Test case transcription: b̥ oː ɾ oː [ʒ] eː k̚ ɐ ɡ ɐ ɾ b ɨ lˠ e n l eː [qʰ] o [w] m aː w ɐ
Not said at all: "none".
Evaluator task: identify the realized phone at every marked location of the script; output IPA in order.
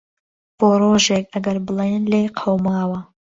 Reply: ʒ, qʰ, w

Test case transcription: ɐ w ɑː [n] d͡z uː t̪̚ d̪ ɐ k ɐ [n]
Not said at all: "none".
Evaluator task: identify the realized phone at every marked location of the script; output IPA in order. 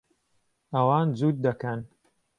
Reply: n, n

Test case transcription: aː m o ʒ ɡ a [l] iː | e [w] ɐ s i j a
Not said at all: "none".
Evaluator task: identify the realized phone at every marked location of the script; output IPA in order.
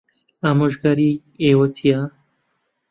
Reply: ɾ, w

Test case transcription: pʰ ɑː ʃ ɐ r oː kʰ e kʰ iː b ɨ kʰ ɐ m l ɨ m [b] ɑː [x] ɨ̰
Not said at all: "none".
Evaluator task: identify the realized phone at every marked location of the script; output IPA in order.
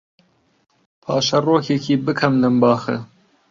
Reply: b, x

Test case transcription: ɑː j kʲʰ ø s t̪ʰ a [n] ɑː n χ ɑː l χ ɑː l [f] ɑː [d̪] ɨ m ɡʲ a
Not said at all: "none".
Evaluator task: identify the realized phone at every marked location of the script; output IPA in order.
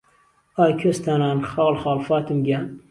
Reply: n, f, t̪

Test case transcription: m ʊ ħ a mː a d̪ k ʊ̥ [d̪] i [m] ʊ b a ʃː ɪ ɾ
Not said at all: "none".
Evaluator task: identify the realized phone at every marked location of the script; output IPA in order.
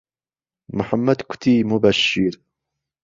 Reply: t̪, m

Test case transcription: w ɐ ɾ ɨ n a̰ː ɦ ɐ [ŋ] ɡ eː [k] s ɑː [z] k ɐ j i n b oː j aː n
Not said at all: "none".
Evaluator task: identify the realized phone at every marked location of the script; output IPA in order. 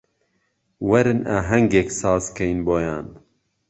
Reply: ŋ, k, z

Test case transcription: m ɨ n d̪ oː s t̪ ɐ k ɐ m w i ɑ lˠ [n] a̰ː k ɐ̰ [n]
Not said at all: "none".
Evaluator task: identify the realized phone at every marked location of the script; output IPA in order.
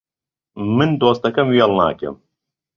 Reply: n, m

